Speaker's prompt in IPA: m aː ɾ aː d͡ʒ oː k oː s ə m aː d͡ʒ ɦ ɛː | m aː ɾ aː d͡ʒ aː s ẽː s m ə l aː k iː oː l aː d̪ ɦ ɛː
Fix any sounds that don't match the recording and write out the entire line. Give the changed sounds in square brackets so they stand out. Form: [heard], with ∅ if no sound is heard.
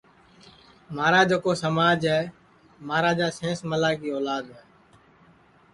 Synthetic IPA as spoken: m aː ɾ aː d͡ʒ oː k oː s ə m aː d͡ʒ ɦ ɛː | m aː ɾ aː d͡ʒ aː s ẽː s m ə l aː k iː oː l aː d̪ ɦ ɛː